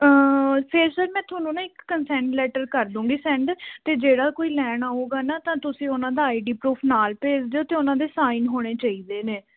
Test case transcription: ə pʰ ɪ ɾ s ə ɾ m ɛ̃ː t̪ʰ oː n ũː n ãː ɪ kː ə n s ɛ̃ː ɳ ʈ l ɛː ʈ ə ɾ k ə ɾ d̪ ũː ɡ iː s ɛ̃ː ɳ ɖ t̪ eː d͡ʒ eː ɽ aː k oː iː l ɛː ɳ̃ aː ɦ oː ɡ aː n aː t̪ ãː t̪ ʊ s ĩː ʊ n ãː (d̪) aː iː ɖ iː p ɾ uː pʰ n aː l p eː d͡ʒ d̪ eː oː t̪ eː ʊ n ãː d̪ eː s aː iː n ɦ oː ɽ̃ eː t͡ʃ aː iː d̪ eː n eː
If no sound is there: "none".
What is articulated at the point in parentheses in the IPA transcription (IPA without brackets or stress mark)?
d̪